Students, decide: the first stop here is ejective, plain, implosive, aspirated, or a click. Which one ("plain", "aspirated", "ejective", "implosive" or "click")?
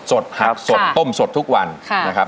plain